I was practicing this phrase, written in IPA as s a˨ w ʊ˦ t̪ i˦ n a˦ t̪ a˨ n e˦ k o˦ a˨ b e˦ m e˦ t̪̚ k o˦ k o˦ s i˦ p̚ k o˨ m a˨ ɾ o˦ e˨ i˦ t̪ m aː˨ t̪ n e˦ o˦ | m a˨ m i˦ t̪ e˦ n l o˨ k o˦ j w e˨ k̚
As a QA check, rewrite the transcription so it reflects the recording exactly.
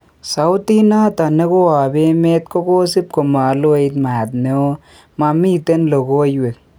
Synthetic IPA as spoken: s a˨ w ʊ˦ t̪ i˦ n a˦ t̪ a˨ n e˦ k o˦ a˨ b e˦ m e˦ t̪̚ k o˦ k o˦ s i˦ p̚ k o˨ m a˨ l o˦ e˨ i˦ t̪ m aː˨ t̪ n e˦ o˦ | m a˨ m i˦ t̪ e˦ n l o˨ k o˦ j w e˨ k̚